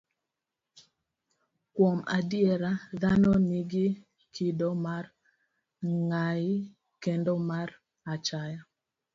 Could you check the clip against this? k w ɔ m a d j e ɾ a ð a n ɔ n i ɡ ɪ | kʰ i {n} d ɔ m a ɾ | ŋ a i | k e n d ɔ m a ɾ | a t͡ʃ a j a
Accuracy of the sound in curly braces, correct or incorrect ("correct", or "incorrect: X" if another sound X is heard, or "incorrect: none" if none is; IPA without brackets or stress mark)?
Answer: incorrect: none